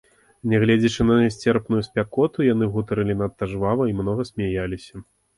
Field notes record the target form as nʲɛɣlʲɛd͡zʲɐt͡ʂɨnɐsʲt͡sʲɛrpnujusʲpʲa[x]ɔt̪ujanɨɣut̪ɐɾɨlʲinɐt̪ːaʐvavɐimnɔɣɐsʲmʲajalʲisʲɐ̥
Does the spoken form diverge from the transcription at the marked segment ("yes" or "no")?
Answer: yes